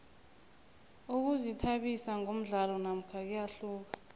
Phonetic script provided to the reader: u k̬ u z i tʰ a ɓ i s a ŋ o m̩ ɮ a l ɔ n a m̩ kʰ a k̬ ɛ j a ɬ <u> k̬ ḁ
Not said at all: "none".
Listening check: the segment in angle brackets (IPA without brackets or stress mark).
uː